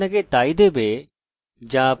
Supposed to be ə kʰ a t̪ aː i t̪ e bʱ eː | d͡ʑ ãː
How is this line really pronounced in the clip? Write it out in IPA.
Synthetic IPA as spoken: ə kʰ e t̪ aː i d̪ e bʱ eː | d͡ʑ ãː